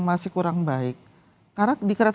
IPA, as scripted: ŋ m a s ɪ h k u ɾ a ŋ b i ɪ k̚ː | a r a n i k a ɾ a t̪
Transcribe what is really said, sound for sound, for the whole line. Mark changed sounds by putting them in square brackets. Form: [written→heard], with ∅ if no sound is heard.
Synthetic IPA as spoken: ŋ m a s ɪ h k u ɾ a ŋ b [i→a] ɪ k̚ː | a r a [n→d] i k [a→ə] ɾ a t̪